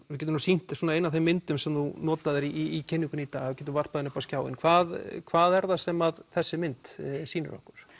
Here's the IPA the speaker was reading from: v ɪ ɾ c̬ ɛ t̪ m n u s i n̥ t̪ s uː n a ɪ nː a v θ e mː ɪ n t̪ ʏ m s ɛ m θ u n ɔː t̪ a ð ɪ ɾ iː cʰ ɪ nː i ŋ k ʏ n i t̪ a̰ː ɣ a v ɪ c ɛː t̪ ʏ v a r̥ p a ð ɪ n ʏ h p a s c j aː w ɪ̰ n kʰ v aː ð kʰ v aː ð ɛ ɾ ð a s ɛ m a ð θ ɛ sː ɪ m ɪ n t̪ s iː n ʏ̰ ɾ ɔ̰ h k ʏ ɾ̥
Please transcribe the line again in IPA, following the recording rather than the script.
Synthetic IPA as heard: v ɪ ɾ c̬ ɛ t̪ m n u s i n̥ t̪ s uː n a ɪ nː a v θ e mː ɪ n t̪ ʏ m s ɛ m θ u n ɔː t̪ a ð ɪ ɾ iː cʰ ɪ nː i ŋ k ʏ n i t̪ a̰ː ɣ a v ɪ c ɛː t̪ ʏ v a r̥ p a ð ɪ n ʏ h p a s c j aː w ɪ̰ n kʰ v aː ð kʰ v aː ð ɛ ɾ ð a s ɛ m a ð θ ɛ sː ɪ m ɪ n t̪ s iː n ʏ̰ ɾ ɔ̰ h k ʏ ɾ̥